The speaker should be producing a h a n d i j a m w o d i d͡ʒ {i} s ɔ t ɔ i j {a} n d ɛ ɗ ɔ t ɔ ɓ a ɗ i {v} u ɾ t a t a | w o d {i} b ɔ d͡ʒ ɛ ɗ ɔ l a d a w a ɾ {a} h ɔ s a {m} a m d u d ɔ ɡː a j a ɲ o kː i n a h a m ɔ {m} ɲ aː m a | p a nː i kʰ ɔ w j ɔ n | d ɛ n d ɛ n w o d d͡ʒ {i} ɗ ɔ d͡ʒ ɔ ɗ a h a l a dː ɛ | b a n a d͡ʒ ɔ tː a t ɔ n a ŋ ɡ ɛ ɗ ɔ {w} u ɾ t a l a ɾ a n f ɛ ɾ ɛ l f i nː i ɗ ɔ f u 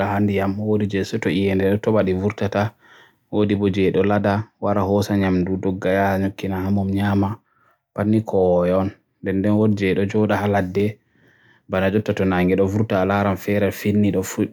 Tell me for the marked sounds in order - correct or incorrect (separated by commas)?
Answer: incorrect, incorrect, correct, correct, correct, incorrect, correct, incorrect, incorrect